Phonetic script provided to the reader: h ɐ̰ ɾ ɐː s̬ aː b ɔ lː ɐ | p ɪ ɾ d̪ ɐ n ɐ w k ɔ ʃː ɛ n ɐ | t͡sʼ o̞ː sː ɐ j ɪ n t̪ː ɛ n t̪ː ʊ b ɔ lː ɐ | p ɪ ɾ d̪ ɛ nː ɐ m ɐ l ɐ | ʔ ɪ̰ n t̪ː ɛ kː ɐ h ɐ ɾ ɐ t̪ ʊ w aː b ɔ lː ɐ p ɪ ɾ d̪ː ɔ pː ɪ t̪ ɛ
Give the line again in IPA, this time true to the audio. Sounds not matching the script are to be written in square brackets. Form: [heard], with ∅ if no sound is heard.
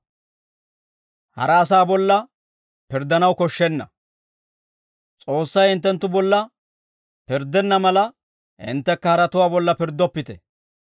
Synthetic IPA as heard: h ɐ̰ ɾ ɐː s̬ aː b ɔ lː ɐ | p ɪ ɾ d̪ ɐ n ɐ w k ɔ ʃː ɛ [nː] ɐ | t͡sʼ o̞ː sː ɐ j ɪ n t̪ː ɛ n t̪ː ʊ b ɔ lː ɐ | p ɪ ɾ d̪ ɛ nː ɐ m ɐ l ɐ | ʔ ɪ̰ n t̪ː ɛ kː ɐ h ɐ ɾ ɐ t̪ ʊ w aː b ɔ lː ɐ p ɪ ɾ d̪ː ɔ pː ɪ t̪ ɛ